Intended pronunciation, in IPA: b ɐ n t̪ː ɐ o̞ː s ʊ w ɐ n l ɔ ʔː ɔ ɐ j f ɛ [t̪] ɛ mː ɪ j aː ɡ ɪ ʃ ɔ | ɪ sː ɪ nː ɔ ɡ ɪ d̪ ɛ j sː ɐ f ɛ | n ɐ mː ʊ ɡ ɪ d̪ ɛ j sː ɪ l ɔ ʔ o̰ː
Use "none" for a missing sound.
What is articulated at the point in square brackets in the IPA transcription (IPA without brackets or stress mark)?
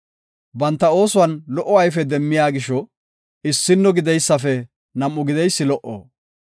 d̪